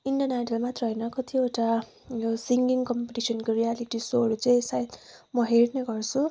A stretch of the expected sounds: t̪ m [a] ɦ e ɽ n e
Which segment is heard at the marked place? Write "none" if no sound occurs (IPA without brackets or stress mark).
ʌ